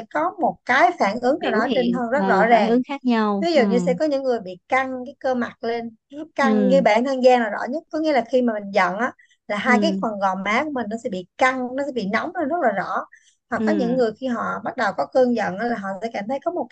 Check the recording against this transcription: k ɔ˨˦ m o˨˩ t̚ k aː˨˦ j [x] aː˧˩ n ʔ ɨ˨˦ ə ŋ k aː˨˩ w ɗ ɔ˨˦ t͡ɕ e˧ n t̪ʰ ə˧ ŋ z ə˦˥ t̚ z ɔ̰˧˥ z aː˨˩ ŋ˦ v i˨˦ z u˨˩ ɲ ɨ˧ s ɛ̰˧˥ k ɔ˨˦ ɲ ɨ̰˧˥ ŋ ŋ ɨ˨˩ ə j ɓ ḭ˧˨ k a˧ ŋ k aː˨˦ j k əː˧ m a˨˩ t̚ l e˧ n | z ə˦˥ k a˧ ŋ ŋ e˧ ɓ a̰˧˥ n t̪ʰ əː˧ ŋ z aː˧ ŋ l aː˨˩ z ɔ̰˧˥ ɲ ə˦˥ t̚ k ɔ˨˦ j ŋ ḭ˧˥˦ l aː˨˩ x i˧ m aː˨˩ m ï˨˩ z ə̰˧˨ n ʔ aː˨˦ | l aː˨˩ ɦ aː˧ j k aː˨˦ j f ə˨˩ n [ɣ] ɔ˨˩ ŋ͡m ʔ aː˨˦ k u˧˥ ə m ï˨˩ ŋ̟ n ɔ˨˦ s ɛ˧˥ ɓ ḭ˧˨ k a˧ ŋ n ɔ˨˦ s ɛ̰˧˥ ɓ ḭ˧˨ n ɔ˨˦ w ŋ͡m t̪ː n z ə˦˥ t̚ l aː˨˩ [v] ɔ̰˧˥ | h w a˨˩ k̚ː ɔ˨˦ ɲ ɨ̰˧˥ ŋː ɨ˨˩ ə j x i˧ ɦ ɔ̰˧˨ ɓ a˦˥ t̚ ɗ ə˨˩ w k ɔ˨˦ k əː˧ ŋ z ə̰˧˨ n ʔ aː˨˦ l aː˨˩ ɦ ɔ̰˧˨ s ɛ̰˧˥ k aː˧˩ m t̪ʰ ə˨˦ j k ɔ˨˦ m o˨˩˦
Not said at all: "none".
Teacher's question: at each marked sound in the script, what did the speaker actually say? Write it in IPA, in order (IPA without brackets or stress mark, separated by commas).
f, ɣ, z